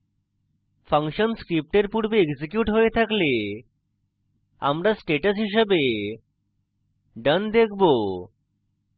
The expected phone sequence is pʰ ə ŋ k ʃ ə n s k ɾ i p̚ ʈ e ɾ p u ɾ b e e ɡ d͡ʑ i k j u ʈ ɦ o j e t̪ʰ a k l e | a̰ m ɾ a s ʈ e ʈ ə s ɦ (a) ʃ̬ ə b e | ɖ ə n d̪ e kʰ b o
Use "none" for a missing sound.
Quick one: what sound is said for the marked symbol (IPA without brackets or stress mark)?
i